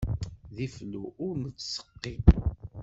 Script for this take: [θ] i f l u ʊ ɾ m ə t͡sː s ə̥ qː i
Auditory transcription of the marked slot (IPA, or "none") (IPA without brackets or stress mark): ð